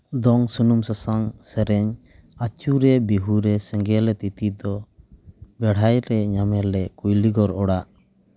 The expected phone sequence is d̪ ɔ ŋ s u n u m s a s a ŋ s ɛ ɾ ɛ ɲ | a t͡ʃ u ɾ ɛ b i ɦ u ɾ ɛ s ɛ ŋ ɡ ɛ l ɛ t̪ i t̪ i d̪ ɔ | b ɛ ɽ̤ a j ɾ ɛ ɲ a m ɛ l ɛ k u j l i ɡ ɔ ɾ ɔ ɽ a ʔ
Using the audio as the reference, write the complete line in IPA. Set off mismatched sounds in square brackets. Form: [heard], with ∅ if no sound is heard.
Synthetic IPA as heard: d̪ ɔ ŋ s u n u m s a s a ŋ s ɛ ɾ ɛ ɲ | a t͡ʃ u ɾ ɛ b i ɦ u ɾ ɛ s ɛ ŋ ɡ ɛ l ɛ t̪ i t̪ i d̪ ɔ | b ɛ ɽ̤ a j ɾ ɛ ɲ a m ɛ l ɛ k u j l i ɡ ɔ ɾ ɔ ɽ a ʔ